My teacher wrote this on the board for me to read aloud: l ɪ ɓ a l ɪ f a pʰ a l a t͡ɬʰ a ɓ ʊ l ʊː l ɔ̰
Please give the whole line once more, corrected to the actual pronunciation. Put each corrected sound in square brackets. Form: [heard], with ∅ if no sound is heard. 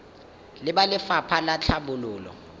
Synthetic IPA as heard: l ɪ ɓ a l ɪ f a pʰ a l a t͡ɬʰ a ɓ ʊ l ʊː l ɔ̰